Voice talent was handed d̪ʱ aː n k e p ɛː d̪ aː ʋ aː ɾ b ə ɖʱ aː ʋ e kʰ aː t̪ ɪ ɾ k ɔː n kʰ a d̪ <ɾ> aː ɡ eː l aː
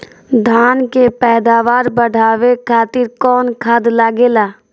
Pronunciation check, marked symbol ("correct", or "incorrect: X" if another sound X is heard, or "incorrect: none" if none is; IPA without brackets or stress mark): incorrect: l